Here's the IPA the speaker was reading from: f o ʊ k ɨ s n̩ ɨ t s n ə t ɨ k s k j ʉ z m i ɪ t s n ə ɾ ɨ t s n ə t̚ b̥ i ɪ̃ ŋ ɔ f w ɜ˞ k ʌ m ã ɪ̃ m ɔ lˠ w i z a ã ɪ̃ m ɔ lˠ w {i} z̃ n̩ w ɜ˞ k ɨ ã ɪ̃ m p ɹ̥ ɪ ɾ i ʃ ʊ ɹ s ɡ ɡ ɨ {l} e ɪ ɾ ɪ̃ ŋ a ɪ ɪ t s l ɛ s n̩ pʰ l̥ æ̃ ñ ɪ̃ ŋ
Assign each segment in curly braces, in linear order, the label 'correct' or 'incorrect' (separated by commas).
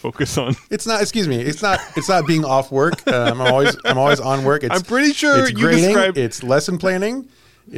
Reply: correct, incorrect